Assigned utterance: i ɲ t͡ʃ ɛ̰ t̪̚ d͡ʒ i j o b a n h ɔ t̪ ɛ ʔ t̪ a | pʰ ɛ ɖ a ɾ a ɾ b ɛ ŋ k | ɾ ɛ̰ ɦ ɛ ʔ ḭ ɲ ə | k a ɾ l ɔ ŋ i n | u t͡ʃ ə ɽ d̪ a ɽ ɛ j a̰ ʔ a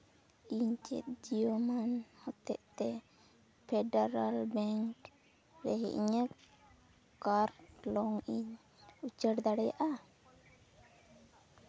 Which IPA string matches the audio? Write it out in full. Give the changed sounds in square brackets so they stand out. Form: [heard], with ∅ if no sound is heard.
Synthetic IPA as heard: i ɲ t͡ʃ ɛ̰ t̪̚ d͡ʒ i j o [m] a n h ɔ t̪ ɛ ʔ t̪ [ɛ] | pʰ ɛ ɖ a ɾ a [l] b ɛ ŋ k | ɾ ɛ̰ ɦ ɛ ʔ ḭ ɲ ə | k a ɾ l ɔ ŋ i [ɲ] | u t͡ʃ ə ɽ d̪ a ɽ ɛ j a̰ ʔ a